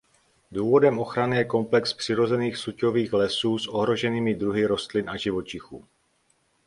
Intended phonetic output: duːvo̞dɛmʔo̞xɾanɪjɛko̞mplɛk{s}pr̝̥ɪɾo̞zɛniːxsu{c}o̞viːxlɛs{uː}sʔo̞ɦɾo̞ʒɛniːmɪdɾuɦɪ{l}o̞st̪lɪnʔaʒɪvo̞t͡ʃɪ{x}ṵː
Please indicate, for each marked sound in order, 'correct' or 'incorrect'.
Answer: correct, correct, correct, incorrect: ɾ, correct

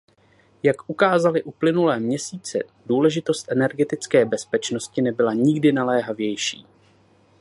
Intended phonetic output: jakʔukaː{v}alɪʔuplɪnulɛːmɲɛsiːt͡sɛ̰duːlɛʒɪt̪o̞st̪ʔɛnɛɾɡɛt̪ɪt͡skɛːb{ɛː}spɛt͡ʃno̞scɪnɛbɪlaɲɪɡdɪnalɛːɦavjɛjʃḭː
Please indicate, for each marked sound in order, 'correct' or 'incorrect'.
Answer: incorrect: z, incorrect: ɛ

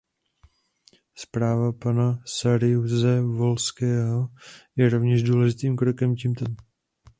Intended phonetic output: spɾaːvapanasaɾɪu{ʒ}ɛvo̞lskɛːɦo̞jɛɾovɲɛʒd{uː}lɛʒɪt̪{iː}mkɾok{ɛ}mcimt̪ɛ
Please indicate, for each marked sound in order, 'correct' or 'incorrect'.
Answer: incorrect: z, correct, correct, correct

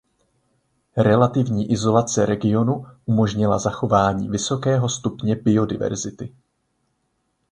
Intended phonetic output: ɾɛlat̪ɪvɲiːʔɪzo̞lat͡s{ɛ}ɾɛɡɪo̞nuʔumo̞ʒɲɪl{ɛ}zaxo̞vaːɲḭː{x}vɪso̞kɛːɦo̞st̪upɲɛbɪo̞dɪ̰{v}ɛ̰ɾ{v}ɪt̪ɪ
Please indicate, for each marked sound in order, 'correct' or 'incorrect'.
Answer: correct, incorrect: a, incorrect: none, correct, incorrect: z

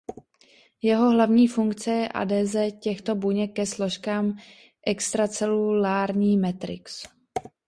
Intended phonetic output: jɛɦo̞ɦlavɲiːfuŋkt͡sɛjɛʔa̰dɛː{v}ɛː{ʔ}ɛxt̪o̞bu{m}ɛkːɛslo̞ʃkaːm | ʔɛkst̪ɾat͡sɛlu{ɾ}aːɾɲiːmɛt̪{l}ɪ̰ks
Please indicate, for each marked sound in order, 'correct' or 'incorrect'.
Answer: incorrect: z, incorrect: c, incorrect: ɲ, incorrect: l, incorrect: ɾ

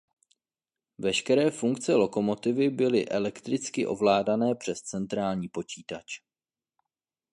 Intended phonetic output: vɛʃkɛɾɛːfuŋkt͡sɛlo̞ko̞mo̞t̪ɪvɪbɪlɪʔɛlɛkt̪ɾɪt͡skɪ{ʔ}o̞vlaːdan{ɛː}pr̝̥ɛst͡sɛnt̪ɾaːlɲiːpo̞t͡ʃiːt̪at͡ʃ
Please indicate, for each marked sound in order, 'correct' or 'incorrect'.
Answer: correct, correct

